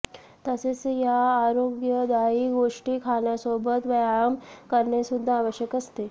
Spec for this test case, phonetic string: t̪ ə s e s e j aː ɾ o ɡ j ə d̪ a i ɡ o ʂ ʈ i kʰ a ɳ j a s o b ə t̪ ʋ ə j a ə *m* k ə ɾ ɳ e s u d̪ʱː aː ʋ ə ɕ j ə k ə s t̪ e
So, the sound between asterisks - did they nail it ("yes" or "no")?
yes